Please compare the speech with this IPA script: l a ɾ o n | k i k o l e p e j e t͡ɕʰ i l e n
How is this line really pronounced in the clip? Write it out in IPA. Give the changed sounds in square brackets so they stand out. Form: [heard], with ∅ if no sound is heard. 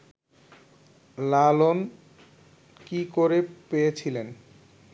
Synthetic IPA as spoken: l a [l] o n | k i k o [ɾ] e p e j e t͡ɕʰ i l e n